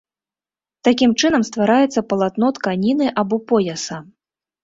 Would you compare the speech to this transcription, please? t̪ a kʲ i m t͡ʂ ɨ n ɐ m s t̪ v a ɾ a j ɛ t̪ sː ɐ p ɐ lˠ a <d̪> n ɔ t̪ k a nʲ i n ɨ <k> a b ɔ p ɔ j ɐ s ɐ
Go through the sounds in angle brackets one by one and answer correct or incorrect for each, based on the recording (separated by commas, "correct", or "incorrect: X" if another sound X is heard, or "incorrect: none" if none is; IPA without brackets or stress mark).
incorrect: t̪, incorrect: ʔ